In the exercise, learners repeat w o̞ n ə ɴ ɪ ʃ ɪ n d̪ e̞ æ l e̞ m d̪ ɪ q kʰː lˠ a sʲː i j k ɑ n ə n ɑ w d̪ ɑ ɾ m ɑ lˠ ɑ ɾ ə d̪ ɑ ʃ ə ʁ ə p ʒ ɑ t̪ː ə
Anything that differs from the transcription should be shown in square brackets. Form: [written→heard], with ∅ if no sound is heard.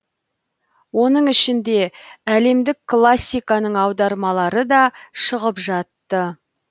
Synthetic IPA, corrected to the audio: w o̞ n ə ɴ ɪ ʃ ɪ n d̪ e̞ æ l e̞ m d̪ ɪ [q→k] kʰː lˠ a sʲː i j k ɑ n ə [n→ɴ] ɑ w d̪ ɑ ɾ m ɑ lˠ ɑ ɾ ə d̪ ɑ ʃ ə ʁ ə p ʒ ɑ t̪ː ə